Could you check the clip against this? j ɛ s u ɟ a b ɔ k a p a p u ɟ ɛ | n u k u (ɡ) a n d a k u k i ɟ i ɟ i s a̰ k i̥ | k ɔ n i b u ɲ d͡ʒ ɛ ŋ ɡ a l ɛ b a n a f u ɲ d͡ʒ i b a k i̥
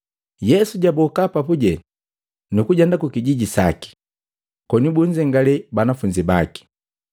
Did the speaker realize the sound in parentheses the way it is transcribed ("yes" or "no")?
no